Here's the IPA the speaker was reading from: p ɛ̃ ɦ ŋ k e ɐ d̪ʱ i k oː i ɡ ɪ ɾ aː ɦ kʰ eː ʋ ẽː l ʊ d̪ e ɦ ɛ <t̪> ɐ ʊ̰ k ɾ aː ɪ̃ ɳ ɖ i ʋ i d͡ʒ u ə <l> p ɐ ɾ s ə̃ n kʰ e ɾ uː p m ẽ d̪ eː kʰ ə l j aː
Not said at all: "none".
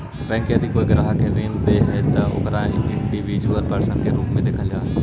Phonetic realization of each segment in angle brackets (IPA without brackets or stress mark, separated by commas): t̪, l